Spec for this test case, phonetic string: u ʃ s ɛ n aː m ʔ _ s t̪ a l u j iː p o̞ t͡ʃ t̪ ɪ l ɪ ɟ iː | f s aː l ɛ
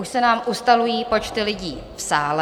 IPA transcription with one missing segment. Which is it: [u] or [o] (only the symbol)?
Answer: u